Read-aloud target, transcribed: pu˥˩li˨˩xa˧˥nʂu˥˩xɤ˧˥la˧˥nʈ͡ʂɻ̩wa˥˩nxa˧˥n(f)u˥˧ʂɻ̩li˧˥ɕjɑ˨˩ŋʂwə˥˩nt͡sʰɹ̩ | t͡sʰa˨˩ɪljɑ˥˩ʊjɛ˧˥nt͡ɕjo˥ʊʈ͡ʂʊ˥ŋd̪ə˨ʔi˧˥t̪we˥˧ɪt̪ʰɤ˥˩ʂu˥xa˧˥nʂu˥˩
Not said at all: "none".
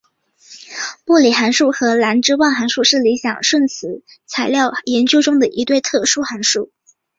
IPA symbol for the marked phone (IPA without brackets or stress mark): ʂ